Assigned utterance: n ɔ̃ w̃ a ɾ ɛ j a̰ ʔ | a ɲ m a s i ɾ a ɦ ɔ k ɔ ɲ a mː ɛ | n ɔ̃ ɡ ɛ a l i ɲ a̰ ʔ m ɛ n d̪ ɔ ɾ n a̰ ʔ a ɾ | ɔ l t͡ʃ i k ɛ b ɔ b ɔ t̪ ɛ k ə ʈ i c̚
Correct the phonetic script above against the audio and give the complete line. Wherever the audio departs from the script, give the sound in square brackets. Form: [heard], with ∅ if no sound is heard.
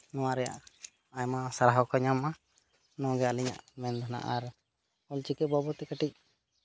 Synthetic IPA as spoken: n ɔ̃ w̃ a ɾ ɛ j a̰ ʔ | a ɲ m a s [a] ɾ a ɦ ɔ k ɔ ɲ a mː [a] | n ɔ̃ ɡ ɛ a l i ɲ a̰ ʔ m ɛ n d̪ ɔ [∅] n a̰ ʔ a ɾ | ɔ l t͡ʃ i k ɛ b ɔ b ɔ t̪ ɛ k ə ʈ i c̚